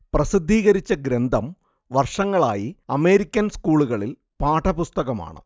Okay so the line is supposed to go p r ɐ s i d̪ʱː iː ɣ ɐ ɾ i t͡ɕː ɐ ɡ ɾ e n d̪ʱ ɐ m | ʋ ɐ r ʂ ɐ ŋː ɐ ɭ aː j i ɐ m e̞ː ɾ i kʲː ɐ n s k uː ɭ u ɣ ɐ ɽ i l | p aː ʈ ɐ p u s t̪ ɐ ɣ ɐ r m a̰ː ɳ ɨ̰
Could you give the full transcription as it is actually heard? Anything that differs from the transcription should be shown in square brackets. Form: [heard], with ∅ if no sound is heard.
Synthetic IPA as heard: p r ɐ s i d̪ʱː iː ɣ ɐ ɾ i t͡ɕː ɐ ɡ ɾ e n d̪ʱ ɐ m | ʋ ɐ r ʂ ɐ ŋː ɐ ɭ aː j i ɐ m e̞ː ɾ i kʲː ɐ n s k uː ɭ u ɣ ɐ [ɭ] i l | p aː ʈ ɐ p u s t̪ ɐ ɣ ɐ [∅] m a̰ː ɳ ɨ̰